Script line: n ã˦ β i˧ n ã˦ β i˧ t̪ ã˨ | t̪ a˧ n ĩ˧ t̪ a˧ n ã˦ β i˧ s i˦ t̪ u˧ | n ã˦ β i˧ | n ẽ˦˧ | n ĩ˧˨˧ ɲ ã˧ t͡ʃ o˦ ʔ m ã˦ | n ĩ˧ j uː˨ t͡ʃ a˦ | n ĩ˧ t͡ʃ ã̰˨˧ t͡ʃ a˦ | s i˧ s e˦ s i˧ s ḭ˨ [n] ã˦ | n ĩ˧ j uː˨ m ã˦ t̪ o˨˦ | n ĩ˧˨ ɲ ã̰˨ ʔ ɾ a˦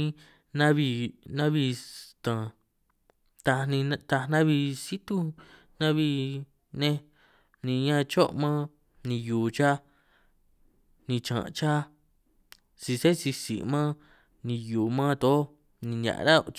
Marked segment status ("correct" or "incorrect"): incorrect